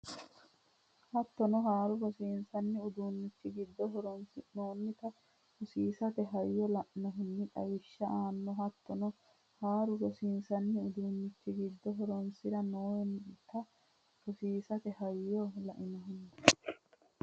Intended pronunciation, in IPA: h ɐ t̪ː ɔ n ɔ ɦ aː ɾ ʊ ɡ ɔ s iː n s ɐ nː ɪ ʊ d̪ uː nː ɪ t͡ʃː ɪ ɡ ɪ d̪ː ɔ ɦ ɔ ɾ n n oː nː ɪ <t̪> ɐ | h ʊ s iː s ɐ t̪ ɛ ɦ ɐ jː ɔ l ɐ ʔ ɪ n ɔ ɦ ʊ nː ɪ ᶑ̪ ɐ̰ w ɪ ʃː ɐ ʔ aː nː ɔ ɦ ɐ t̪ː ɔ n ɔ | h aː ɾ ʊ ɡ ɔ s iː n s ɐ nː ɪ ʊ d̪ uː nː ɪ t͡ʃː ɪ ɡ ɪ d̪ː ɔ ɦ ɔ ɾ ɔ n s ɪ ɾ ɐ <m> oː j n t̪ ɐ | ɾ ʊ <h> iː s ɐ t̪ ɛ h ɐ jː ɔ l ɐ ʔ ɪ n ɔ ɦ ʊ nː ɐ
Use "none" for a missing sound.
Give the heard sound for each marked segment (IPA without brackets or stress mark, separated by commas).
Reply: t̪, n, s